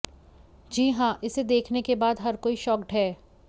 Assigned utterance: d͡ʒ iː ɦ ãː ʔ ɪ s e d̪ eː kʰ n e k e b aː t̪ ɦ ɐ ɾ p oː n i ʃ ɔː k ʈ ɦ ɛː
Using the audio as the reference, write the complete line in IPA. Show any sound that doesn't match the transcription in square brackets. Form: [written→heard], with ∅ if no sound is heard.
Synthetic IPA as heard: d͡ʒ iː ɦ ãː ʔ ɪ s e d̪ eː kʰ n e k e b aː [t̪→d̪] ɦ ɐ ɾ [p→k] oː [n→∅] i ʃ ɔː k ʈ ɦ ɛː